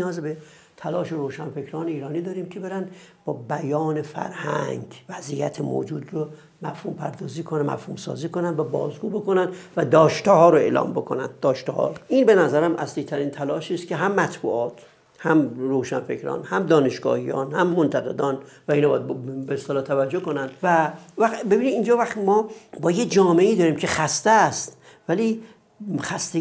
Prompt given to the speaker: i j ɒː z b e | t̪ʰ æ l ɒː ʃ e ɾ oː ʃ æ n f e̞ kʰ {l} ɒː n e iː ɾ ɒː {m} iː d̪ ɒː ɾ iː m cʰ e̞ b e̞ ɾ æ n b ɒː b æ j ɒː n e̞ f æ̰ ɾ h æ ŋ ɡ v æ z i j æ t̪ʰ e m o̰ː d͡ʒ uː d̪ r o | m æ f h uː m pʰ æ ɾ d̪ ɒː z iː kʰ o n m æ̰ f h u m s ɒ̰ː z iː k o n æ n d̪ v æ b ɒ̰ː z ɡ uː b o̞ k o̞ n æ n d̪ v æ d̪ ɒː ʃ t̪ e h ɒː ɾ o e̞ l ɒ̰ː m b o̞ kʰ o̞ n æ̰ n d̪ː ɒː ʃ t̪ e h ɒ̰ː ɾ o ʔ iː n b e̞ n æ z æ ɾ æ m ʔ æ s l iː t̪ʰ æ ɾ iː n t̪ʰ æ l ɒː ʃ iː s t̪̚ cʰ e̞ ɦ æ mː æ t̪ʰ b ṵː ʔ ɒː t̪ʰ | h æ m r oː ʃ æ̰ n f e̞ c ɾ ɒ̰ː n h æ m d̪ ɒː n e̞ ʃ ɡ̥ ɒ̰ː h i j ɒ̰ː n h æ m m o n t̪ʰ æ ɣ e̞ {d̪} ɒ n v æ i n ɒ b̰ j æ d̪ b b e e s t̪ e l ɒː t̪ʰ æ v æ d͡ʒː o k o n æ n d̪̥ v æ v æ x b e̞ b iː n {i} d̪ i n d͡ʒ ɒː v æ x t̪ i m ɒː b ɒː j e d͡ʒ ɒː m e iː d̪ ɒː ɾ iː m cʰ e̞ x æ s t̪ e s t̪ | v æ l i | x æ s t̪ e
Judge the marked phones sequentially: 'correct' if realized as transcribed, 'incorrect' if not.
incorrect: ɾ, incorrect: n, correct, correct

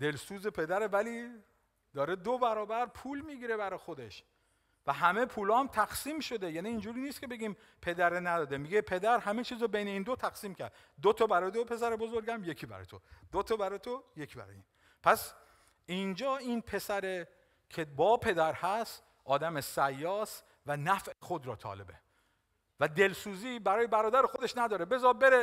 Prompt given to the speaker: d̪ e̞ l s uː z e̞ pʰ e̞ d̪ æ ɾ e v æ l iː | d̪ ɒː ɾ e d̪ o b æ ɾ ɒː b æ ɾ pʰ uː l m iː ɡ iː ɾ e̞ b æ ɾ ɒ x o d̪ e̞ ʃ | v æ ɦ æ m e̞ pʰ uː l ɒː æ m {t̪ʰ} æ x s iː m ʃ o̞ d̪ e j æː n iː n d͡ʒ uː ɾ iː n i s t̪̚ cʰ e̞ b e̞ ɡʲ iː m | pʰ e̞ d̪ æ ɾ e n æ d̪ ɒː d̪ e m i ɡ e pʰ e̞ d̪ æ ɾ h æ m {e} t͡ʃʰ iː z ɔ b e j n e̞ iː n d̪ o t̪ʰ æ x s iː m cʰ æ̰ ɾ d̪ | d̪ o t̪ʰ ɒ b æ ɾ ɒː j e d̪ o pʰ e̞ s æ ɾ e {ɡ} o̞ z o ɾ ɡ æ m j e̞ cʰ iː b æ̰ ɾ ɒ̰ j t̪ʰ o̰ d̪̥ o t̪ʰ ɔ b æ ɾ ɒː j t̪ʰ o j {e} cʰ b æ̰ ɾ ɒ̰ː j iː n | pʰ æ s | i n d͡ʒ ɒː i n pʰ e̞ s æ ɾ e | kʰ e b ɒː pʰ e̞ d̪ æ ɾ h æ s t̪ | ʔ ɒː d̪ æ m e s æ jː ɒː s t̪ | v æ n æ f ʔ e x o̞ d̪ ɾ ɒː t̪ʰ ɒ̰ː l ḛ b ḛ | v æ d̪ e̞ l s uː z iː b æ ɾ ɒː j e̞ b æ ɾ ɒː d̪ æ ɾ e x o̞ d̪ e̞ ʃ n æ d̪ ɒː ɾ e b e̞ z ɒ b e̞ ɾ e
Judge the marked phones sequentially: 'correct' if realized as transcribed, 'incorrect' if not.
correct, correct, incorrect: b, correct

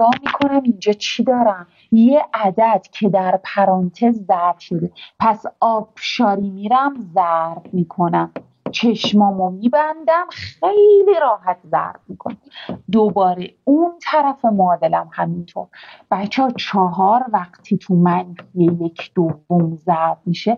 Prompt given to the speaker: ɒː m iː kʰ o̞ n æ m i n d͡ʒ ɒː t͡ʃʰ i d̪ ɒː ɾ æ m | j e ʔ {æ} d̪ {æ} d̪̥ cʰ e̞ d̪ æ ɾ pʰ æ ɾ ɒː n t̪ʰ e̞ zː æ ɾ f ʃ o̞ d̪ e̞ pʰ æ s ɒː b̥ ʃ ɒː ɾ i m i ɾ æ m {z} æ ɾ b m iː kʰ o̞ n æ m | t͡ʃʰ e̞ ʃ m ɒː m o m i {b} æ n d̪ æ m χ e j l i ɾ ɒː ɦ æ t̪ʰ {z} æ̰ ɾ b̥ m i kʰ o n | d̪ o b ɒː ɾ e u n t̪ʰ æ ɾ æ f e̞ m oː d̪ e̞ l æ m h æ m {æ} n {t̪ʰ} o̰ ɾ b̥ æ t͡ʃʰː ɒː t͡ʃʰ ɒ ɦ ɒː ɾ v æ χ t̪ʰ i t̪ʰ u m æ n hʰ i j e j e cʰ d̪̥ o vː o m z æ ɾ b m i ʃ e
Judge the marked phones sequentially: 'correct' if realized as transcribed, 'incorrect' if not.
correct, correct, correct, correct, correct, incorrect: i, correct

